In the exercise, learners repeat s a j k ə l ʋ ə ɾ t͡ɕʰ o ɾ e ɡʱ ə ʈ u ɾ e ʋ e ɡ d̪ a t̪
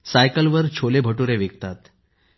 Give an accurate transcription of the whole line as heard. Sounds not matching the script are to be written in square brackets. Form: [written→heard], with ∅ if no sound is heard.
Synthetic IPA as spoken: s a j k ə l ʋ ə ɾ t͡ɕʰ o [ɾ→l] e [ɡʱ→bʱ] ə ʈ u ɾ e ʋ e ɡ [d̪→t̪] a t̪